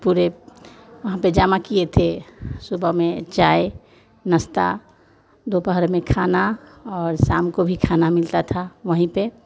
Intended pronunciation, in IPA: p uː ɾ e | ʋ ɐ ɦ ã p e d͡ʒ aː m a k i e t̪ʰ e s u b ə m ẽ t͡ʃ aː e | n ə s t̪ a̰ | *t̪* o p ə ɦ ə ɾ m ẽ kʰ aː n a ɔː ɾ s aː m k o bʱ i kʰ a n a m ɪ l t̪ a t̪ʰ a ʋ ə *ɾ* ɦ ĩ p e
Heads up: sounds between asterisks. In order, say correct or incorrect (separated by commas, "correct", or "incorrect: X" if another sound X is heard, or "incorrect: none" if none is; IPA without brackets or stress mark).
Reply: incorrect: d̪, incorrect: none